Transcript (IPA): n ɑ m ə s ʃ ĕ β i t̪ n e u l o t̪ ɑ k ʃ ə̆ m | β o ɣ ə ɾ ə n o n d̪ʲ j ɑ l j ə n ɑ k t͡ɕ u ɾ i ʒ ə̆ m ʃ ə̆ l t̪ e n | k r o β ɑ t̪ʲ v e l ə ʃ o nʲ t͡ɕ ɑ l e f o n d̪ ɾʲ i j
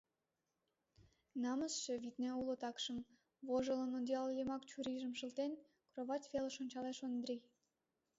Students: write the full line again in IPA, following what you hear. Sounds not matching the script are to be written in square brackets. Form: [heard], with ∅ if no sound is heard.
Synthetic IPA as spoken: n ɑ m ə s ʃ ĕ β i t̪ n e u l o t̪ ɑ k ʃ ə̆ m | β o [ʒ] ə [l] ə n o n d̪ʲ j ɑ l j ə [m] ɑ k t͡ɕ u ɾ i ʒ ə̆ m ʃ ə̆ l t̪ e n | k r o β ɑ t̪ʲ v e l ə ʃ o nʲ t͡ɕ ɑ l e [ʃ] o n d̪ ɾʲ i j